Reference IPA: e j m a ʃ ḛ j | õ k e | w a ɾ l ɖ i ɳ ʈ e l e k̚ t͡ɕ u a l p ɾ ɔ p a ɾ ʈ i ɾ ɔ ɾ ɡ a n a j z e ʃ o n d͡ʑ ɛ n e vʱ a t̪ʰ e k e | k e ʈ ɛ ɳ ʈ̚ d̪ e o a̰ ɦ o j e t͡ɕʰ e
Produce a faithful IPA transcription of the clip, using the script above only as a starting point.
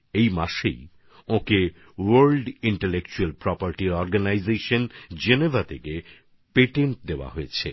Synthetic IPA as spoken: e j m a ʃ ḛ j | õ k e | w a ɾ l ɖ i ɳ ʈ e l e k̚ t͡ɕ u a l p ɾ ɔ p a ɾ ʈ i ɾ ɔ ɾ ɡ a n a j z e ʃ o n d͡ʑ e n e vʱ a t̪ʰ e k e | p e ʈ e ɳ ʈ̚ d̪ e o a̰ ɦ o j e t͡ɕʰ e